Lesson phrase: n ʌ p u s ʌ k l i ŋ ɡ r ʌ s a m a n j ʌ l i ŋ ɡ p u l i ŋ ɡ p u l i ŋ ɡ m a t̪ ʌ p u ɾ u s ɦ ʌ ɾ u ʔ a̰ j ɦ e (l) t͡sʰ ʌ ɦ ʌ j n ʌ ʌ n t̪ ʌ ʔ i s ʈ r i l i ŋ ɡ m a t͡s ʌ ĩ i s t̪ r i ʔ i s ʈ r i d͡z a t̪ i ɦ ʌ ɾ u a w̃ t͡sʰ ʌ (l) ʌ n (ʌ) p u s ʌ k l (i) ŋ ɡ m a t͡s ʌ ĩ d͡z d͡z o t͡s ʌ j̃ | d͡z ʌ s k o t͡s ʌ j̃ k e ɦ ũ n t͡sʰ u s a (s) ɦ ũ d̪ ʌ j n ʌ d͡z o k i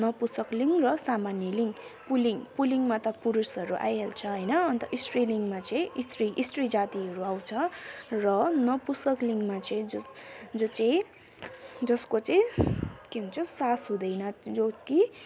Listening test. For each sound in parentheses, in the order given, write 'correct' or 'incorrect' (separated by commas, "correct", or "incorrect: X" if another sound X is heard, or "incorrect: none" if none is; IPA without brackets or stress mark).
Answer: correct, incorrect: r, correct, correct, correct